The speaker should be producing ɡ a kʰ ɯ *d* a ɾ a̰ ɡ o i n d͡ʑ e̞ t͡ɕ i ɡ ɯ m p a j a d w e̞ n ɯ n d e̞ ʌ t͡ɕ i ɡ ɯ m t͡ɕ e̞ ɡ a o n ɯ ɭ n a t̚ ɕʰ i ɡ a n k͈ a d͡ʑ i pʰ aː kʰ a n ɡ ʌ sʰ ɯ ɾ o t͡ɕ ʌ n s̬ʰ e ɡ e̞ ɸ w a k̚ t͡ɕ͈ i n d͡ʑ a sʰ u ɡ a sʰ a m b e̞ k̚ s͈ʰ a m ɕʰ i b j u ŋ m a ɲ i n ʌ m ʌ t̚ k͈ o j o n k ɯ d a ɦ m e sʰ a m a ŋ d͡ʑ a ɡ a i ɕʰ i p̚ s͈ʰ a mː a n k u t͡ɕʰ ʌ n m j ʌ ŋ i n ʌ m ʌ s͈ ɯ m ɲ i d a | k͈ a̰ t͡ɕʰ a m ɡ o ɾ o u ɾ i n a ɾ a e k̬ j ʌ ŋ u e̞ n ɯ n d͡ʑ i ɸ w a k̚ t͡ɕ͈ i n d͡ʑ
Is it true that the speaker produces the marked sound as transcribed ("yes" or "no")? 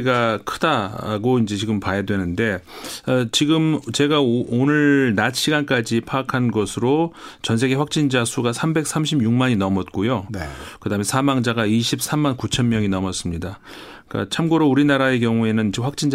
yes